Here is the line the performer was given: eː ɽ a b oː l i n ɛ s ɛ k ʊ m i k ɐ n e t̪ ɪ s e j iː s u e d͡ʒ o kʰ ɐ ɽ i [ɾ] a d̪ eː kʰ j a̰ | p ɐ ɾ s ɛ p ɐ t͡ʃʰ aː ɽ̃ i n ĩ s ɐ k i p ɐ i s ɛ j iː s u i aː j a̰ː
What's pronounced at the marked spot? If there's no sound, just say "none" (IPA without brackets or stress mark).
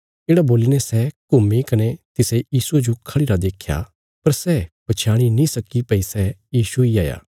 ɾ